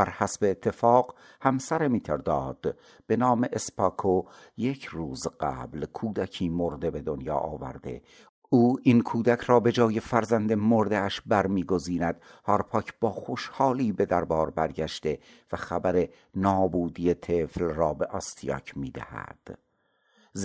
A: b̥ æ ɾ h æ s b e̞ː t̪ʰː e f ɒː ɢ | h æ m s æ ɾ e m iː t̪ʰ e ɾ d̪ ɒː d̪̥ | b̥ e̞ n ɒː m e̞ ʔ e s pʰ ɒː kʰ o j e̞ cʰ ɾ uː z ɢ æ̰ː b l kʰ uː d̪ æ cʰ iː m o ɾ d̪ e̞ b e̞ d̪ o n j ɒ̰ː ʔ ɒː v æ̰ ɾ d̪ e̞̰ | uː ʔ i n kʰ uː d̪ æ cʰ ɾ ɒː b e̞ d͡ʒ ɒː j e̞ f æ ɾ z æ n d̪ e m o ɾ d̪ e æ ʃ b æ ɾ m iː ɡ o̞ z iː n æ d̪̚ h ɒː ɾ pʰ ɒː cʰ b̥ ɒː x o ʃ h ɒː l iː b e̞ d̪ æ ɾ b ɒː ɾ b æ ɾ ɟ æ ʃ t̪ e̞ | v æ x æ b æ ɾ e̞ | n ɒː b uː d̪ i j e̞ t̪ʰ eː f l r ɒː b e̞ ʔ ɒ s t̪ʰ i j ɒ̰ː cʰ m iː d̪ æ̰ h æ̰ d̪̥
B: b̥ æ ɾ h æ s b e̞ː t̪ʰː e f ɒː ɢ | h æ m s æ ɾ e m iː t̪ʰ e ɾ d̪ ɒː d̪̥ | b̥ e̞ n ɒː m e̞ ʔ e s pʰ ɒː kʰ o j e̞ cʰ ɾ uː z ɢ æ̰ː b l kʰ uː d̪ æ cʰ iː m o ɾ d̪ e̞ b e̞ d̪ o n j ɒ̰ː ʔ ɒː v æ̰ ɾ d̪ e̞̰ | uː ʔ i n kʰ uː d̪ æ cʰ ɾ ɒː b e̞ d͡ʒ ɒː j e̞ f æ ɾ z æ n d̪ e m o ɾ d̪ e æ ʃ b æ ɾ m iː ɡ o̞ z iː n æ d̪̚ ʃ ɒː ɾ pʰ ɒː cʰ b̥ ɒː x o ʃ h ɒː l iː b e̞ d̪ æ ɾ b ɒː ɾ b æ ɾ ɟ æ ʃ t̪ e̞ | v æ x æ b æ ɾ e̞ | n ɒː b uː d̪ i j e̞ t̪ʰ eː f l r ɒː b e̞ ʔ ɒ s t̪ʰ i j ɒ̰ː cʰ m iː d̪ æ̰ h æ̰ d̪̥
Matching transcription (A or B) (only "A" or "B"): A